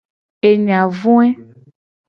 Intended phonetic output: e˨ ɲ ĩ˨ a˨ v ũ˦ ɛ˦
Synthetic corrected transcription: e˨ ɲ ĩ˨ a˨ v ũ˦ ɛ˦